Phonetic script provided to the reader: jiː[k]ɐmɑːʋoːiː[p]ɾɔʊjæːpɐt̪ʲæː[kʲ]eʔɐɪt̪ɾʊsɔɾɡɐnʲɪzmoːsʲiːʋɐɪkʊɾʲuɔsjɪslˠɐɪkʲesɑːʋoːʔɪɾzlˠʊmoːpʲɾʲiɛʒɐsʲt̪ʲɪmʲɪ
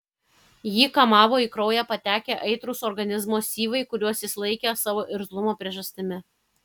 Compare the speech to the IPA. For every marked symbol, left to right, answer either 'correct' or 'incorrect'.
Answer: correct, incorrect, correct

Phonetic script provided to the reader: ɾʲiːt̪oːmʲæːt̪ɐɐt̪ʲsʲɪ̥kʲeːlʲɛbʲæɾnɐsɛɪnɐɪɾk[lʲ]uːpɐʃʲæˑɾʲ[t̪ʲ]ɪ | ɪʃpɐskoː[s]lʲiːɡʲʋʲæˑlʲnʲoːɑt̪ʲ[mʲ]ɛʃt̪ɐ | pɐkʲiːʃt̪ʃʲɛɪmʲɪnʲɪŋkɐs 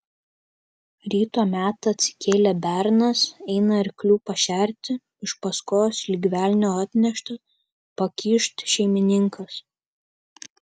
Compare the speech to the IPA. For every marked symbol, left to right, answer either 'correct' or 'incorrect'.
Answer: correct, correct, correct, incorrect

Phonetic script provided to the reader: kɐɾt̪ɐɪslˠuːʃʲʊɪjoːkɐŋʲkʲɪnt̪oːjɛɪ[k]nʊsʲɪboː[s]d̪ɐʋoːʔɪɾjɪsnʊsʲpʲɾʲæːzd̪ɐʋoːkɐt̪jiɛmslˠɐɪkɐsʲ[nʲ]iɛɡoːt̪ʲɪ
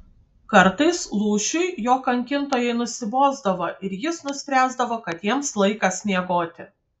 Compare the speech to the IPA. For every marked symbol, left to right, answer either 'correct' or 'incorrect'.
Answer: incorrect, incorrect, correct

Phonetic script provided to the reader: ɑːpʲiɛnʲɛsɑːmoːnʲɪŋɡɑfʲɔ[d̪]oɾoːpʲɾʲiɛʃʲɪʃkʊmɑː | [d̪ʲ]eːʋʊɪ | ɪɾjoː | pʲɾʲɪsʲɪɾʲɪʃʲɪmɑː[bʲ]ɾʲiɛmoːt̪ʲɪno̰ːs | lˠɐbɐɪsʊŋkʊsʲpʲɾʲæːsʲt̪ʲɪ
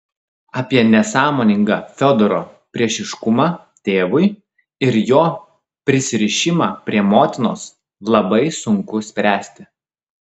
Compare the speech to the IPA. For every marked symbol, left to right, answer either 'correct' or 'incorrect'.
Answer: correct, incorrect, incorrect

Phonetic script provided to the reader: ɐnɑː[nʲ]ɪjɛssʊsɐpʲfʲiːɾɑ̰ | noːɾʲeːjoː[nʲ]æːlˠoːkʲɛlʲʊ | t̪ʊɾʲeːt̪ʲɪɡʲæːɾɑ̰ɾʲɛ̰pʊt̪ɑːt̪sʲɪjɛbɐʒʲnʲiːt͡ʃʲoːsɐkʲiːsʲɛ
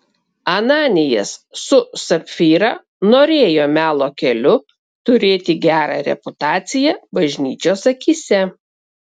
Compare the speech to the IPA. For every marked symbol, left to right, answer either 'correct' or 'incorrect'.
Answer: correct, incorrect

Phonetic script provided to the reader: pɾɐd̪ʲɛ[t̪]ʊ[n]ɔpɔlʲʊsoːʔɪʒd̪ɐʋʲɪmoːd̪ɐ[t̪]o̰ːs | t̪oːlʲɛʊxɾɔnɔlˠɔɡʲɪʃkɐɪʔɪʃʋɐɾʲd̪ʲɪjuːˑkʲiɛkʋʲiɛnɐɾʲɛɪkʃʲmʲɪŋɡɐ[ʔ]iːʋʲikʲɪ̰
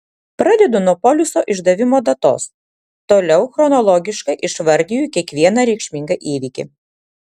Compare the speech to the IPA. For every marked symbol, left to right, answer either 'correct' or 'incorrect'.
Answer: incorrect, correct, correct, correct

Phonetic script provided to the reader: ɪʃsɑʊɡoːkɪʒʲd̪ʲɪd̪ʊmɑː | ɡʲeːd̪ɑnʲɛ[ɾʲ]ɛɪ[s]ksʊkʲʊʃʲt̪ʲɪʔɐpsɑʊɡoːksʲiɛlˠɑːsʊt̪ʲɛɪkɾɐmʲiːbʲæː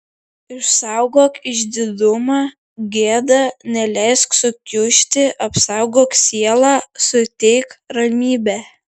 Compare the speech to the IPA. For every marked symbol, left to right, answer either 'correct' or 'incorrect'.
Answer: incorrect, correct

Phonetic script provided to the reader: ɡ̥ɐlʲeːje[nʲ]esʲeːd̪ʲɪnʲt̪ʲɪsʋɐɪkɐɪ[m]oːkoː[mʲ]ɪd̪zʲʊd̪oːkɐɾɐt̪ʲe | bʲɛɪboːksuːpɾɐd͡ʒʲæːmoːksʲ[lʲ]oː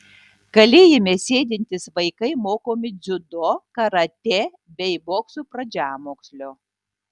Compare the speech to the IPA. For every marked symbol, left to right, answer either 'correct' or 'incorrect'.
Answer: incorrect, correct, correct, correct

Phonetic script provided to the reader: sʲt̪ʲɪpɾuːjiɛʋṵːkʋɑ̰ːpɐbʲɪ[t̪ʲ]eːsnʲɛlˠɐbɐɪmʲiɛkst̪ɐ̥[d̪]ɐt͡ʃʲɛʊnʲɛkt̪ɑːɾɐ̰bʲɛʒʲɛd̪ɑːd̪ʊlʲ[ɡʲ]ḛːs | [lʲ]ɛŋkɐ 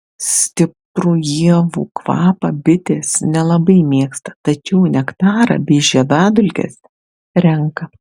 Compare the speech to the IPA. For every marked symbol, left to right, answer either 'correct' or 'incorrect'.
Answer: correct, incorrect, incorrect, incorrect

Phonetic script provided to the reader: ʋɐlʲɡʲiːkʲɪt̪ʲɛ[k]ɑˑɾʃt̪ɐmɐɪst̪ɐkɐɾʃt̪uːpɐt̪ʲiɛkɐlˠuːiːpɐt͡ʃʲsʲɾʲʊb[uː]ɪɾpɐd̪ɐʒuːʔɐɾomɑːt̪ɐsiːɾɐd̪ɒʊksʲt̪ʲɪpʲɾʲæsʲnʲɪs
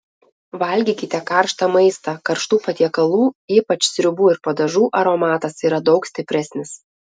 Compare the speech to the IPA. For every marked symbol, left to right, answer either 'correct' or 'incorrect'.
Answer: correct, correct

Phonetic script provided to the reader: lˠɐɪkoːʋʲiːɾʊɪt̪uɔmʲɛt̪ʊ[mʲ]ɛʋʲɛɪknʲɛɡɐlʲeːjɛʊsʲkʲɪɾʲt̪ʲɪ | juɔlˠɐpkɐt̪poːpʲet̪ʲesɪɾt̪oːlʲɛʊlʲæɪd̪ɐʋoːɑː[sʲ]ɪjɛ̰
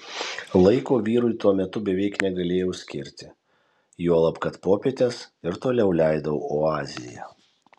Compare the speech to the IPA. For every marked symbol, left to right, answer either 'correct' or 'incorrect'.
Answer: incorrect, incorrect

